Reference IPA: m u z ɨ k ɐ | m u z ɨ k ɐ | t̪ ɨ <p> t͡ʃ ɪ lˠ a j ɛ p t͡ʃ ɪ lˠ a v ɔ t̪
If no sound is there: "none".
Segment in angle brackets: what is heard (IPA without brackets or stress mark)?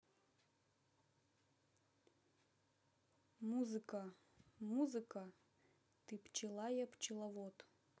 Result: p